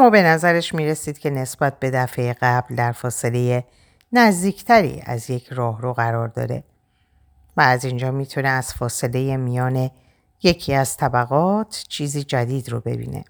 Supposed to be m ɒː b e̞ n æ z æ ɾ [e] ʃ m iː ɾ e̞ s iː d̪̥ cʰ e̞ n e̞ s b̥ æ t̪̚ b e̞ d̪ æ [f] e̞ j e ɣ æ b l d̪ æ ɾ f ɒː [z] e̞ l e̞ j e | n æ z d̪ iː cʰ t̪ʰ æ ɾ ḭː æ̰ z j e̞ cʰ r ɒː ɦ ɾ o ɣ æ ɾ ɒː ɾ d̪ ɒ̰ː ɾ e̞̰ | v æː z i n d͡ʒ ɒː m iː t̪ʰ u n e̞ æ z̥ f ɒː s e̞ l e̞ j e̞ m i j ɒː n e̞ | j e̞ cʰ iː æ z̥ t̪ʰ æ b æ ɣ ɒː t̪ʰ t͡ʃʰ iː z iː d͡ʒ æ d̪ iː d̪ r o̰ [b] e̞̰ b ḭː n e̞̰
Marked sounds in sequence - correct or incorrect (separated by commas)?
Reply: correct, correct, incorrect, correct